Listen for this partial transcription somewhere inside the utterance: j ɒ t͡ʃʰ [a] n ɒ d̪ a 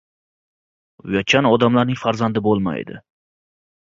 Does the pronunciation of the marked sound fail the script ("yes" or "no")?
no